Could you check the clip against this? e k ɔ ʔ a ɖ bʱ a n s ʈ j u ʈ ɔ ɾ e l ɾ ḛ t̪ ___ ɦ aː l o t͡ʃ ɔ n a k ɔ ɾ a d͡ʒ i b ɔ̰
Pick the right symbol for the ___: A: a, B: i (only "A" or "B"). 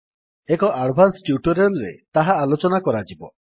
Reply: A